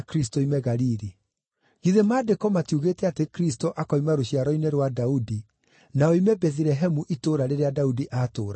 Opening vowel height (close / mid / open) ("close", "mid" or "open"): close